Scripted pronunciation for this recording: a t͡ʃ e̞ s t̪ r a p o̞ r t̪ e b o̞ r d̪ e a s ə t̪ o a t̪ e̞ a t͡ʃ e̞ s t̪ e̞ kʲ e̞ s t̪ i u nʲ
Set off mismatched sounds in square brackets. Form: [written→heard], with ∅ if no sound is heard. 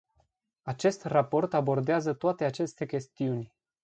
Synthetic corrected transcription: a t͡ʃ e̞ s t̪ r a p o̞ r t̪ [e→a] b o̞ r d̪ e a [s→z] ə t̪ o a t̪ e̞ a t͡ʃ e̞ s t̪ e̞ kʲ e̞ s t̪ i u nʲ